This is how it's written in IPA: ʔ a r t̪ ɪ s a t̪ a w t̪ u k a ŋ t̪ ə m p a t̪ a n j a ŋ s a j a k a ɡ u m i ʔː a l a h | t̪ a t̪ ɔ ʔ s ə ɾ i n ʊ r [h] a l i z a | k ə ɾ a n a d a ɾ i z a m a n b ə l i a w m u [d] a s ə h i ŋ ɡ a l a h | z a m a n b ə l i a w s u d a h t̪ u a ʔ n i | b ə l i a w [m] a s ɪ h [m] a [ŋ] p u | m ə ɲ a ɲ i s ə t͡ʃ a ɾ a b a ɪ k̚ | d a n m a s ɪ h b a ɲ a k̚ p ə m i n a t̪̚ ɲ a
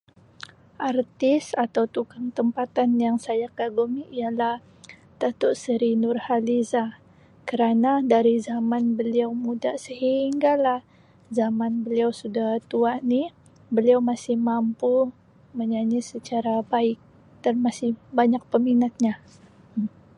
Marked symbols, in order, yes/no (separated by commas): yes, yes, yes, yes, no